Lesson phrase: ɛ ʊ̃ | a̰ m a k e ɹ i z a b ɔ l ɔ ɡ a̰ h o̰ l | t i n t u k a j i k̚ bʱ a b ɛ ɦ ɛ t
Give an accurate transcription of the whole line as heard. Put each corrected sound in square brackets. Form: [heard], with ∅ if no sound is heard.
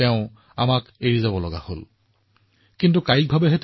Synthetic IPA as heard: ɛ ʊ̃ | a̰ m a k e ɹ i z a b ɔ l ɔ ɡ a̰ h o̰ l | [k] i n t u k a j i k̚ bʱ a b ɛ ɦ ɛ t

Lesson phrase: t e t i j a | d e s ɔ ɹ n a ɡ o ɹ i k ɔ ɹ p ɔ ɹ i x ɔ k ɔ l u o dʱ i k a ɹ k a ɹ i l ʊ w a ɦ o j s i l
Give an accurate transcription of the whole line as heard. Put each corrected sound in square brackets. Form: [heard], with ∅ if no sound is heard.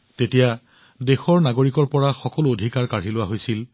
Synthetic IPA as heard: t e t i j a | d e [x] ɔ ɹ n a ɡ o ɹ i k ɔ ɹ p ɔ ɹ [a] x ɔ k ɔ l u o dʱ i k a ɹ k a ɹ i l ʊ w a ɦ o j s i l

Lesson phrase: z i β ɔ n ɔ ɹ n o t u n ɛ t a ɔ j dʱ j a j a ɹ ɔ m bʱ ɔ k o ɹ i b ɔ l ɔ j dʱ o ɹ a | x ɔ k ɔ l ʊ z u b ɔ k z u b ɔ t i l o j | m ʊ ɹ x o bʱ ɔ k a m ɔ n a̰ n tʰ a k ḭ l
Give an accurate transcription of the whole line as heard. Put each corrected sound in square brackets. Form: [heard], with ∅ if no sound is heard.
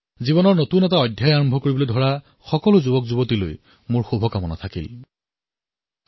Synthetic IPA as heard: z i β ɔ n ɔ ɹ n o t u n ɛ t a ɔ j dʱ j a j a ɹ ɔ m bʱ ɔ k o ɹ i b ɔ l [o] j dʱ [ɔ] ɹ a | x ɔ k ɔ l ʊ z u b ɔ k z u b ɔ t i l o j | m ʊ ɹ x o bʱ ɔ k a m ɔ n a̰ [∅] tʰ a k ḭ l

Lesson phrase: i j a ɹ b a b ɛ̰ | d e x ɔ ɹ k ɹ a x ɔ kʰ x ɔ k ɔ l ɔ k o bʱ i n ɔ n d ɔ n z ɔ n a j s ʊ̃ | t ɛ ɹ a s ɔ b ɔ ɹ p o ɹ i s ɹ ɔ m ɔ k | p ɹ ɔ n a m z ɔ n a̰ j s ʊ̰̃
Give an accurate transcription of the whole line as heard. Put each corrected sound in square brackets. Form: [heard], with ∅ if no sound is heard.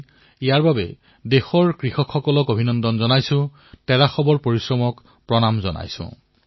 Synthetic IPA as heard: i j a ɹ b a b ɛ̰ | d e x ɔ ɹ k ɹ [i] x ɔ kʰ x ɔ k ɔ l ɔ k o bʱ i n ɔ n d ɔ n z ɔ n a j s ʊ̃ | t ɛ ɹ a [x] ɔ b ɔ ɹ p o ɹ i s ɹ ɔ m ɔ k | p ɹ ɔ n a m z ɔ n a̰ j s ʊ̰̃

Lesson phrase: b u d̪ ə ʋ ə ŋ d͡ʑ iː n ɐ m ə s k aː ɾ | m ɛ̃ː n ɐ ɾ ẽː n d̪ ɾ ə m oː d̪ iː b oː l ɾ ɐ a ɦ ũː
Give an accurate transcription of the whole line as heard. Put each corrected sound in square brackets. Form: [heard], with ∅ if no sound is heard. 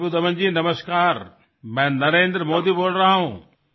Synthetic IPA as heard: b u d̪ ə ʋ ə [n] d͡ʑ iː n ɐ m ə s k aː ɾ | m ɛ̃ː n ɐ ɾ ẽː n d̪ ɾ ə m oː d̪ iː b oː l ɾ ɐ a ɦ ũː

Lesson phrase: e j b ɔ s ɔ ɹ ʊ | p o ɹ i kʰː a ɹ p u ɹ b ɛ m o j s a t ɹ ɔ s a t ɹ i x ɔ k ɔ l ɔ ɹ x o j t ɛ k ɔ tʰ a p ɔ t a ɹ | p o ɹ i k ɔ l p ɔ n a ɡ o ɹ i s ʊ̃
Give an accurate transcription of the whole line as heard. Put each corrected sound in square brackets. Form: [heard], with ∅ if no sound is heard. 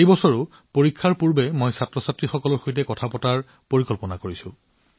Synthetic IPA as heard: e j b ɔ s ɔ ɹ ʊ | p o ɹ i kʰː a ɹ p u ɹ b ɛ m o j s a t ɹ ɔ s a t ɹ i x ɔ k ɔ l ɔ ɹ x o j t ɛ k ɔ tʰ a p ɔ t a ɹ | p o ɹ i k ɔ l p ɔ n a [k] o ɹ i s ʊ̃

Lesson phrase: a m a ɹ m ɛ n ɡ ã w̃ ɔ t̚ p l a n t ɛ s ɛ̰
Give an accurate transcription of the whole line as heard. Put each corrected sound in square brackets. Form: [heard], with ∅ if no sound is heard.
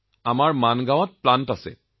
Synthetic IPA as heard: a m a ɹ m [a] n ɡ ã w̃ ɔ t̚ p l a n t [a] s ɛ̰

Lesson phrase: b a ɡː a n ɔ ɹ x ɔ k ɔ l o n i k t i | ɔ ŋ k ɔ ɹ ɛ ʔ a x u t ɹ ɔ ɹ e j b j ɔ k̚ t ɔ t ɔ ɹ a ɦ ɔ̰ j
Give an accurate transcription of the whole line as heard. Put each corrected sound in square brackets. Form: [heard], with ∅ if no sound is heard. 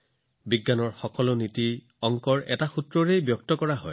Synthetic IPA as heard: b [i] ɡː a n ɔ ɹ x ɔ k ɔ l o n i [∅] t i | ɔ ŋ k ɔ ɹ ɛ [t] a x u t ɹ ɔ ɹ e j b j ɔ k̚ t ɔ [k] ɔ ɹ a ɦ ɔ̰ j

